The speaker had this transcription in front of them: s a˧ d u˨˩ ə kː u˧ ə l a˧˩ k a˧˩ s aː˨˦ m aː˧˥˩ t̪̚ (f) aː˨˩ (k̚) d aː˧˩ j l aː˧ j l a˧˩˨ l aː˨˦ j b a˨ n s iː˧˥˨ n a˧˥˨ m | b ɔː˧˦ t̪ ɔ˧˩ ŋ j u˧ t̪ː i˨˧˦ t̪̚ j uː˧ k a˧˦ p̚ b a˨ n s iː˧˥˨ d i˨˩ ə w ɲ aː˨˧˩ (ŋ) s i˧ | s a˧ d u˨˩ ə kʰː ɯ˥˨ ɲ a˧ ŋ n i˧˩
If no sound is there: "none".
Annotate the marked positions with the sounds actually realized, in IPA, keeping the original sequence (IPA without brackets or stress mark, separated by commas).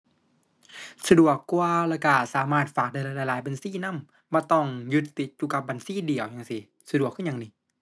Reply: f, k̚, ŋ